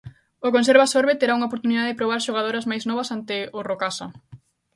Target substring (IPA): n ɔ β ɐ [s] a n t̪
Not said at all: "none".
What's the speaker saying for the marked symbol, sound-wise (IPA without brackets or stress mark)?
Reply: s